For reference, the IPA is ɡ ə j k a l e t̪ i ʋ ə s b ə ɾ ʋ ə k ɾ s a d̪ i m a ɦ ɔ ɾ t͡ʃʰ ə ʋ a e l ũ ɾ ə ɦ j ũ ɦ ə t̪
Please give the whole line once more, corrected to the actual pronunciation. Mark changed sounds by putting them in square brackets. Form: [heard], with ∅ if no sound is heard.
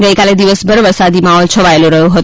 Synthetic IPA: ɡ ə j k a l e [d̪] i ʋ ə s b ə ɾ ʋ ə [∅] ɾ s a d̪ i m a ɦ ɔ [l] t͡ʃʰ ə ʋ a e l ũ ɾ ə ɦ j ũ ɦ ə t̪